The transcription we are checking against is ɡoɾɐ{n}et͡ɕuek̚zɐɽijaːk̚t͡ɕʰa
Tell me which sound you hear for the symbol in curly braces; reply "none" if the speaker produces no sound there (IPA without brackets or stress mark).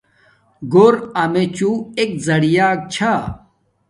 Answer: m